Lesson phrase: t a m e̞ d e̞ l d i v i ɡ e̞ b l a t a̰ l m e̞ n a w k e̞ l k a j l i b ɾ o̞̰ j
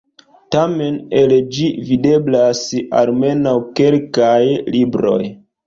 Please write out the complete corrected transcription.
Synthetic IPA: t a m e̞ n e̞ l d͡ʒ i v i d e̞ b l a s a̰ l m e̞ n a w k e̞ l k a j l i b ɾ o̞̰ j